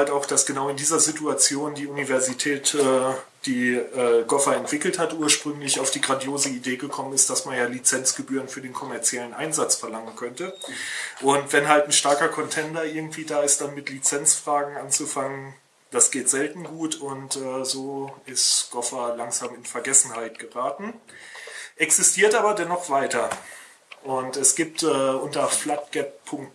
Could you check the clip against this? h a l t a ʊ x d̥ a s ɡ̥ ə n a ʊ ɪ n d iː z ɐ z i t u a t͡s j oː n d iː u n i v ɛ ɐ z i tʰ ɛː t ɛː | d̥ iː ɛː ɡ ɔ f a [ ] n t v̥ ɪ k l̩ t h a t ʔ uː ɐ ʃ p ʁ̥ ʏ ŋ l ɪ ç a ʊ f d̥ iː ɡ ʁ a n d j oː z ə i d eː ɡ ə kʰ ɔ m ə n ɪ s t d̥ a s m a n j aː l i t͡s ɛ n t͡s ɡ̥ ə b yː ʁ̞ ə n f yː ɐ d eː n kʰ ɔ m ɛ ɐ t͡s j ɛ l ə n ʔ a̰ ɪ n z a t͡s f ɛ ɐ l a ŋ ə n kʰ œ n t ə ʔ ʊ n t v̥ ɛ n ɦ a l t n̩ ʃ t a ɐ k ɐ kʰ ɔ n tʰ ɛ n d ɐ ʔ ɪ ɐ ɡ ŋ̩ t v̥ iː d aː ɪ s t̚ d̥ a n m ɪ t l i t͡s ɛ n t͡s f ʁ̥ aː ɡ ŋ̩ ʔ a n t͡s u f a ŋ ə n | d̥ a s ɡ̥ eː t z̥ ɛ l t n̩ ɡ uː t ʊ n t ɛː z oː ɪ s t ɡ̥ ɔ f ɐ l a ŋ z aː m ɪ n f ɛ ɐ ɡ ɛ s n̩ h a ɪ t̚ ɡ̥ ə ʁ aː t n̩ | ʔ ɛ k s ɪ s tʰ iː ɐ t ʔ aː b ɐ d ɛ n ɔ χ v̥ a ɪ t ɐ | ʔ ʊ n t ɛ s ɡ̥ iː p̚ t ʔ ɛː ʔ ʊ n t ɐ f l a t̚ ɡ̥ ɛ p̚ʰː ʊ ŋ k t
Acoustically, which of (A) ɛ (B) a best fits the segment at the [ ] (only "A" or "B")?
A